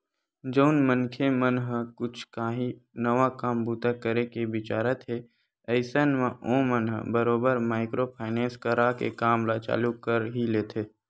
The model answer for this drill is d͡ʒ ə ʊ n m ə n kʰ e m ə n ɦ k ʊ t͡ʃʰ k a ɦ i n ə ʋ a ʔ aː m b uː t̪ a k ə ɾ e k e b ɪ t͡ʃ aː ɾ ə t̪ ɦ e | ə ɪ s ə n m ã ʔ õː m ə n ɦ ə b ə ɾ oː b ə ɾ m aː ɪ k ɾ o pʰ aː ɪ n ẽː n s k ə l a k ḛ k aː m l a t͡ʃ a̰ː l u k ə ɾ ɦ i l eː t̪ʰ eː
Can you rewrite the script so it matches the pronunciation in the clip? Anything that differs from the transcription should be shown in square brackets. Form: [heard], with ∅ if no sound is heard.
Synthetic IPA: d͡ʒ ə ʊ n m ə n kʰ e m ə n ɦ k ʊ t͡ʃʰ k a ɦ i n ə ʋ a [k] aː m b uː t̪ a k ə ɾ e k e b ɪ t͡ʃ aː ɾ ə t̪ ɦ e | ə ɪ s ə n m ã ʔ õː m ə n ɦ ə b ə ɾ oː b ə ɾ m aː ɪ k ɾ o pʰ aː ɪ n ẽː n s k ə [ɾ] a k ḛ k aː m l a t͡ʃ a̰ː l u k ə ɾ ɦ i l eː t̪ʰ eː

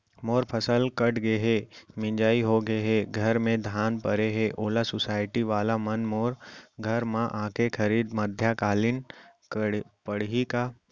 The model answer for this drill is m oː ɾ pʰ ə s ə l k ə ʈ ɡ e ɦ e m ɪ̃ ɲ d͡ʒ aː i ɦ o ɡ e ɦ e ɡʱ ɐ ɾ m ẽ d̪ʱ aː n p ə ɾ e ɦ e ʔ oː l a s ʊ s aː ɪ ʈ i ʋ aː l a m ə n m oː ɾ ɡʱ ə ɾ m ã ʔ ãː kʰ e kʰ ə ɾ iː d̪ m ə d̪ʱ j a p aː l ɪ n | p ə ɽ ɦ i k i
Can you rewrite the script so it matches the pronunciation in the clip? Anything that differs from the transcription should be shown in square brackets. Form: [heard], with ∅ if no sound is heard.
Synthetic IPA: m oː ɾ pʰ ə s ə l k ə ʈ ɡ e ɦ e m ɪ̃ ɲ d͡ʒ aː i ɦ o ɡ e ɦ e ɡʱ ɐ ɾ m ẽ d̪ʱ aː n p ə ɾ e ɦ e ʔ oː l a s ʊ s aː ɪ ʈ i ʋ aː l a m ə n m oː ɾ ɡʱ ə ɾ m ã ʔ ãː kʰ e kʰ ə ɾ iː d̪ m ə d̪ʱ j a [k] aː l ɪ n | p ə ɽ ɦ i k [a]

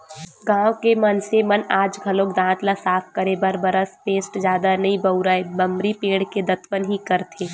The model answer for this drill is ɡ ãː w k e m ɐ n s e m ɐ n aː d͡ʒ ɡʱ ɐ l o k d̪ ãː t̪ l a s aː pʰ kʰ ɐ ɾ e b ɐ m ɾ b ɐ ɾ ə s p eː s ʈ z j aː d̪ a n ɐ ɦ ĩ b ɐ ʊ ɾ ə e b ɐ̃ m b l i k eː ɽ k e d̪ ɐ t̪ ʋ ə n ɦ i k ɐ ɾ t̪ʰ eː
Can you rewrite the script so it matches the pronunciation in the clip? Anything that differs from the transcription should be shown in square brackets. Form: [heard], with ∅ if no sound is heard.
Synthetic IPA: ɡ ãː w k e m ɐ n s e m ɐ n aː d͡ʒ ɡʱ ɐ l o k d̪ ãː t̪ l a s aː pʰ [k] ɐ ɾ e b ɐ [∅] ɾ b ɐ ɾ ə s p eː s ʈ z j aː d̪ a n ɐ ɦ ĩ b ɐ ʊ ɾ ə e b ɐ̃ m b [ɾ] i [p] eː ɽ k e d̪ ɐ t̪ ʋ ə n ɦ i k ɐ ɾ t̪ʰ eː

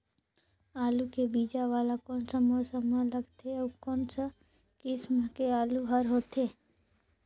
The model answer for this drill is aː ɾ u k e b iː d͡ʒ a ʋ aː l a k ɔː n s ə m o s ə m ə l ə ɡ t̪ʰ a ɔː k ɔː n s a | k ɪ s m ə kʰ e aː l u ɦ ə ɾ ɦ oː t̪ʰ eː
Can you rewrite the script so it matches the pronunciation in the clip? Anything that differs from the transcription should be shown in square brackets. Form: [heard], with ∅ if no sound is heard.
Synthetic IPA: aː [l] u k e b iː d͡ʒ a ʋ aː l a k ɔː n s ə m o s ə m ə l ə ɡ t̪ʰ [e] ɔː k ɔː n s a | k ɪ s m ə [k] e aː l u ɦ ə ɾ ɦ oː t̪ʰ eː

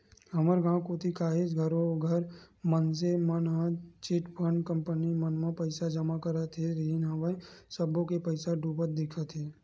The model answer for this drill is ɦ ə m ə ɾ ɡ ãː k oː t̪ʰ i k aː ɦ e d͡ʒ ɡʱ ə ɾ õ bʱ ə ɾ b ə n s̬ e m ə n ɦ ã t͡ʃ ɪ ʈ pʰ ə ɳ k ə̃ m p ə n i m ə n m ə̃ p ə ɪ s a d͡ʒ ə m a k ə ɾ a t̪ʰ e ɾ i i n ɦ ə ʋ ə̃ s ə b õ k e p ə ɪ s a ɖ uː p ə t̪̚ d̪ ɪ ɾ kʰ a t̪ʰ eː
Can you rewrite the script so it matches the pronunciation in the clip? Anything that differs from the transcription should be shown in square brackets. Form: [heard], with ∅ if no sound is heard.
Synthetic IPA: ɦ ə m ə ɾ ɡ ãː k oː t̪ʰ i k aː ɦ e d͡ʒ ɡʱ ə ɾ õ [ɡʱ] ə ɾ [m] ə n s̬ e m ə n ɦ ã t͡ʃ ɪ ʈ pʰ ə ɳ k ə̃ m p ə n i m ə n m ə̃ p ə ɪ s a d͡ʒ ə m a k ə ɾ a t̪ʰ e ɾ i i n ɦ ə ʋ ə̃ s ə b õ k e p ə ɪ s a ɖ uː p ə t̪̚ d̪ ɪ [∅] kʰ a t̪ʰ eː

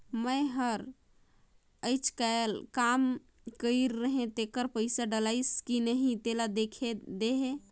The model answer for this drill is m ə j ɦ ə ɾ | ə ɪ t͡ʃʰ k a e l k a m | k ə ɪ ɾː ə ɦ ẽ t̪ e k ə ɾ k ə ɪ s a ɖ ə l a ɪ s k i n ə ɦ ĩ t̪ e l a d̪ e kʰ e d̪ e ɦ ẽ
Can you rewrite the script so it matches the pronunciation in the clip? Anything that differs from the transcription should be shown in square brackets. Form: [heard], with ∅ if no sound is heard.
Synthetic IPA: m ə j ɦ ə ɾ | ə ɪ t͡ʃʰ k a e l k a m | k ə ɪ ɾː ə ɦ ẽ t̪ e k ə ɾ [p] ə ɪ s a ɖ ə l a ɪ s k i n ə ɦ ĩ t̪ e l a d̪ e kʰ e d̪ e ɦ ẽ

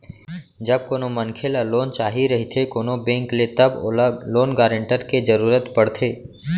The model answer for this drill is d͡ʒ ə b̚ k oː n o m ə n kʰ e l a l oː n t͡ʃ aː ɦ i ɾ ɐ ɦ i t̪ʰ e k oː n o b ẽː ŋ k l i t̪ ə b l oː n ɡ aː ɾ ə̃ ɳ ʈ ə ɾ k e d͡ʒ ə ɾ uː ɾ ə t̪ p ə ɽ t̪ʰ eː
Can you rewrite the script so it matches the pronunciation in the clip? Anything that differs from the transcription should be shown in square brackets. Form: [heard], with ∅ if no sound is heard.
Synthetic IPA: d͡ʒ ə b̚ k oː n o m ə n kʰ e l a l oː n t͡ʃ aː ɦ i ɾ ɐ ɦ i t̪ʰ e k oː n o b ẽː ŋ k l [e] t̪ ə b l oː n ɡ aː ɾ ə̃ ɳ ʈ ə ɾ k e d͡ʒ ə ɾ uː ɾ ə t̪ p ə ɽ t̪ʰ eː

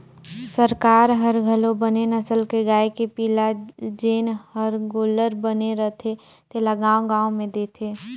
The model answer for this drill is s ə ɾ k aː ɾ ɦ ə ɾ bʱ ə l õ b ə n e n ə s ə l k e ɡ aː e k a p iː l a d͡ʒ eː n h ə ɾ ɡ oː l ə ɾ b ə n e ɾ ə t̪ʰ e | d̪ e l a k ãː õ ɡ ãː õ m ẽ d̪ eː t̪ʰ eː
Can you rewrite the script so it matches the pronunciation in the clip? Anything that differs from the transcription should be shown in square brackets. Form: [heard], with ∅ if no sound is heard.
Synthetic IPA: s ə ɾ k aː ɾ ɦ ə ɾ [ɡʱ] ə l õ b ə n e n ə s ə l k e ɡ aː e k [e] p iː l a d͡ʒ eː n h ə ɾ ɡ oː l ə ɾ b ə n e ɾ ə t̪ʰ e | [t̪] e l a [ɡ] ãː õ ɡ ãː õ m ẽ d̪ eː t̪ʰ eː

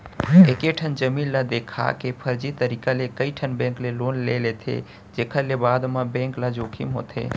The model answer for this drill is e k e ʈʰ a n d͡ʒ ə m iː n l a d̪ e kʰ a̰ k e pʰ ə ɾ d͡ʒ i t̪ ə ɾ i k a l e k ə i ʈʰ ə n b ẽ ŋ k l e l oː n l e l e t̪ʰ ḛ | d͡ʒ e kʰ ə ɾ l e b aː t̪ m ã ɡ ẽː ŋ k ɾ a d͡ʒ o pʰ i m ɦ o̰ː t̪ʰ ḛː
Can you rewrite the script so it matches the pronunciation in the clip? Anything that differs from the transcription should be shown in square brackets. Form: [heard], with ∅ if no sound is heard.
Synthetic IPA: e k e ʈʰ [ə] n d͡ʒ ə m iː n l a d̪ e kʰ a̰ k e pʰ ə ɾ d͡ʒ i t̪ ə ɾ i k a l e k ə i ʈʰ ə n b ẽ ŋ k l e l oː n l e l e t̪ʰ ḛ | d͡ʒ e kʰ ə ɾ l e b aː [d̪] m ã [b] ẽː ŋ k [l] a d͡ʒ o [kʰ] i m ɦ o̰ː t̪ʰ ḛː

